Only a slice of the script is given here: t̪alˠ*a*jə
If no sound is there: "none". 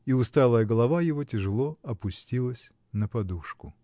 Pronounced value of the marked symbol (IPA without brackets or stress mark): ə